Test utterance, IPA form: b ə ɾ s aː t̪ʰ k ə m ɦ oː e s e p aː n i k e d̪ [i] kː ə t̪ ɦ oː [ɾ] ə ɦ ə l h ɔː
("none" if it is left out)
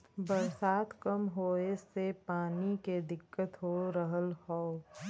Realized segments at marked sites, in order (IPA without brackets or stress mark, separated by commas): ɪ, ɾ